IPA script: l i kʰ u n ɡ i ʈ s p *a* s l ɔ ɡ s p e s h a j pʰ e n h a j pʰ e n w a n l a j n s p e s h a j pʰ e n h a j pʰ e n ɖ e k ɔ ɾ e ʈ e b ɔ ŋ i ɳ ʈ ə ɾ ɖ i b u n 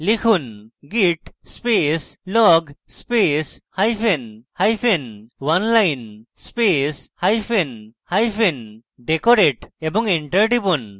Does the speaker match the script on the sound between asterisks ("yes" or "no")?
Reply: no